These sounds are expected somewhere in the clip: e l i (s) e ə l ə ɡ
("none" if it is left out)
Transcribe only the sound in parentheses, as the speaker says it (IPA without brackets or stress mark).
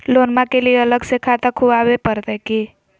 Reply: none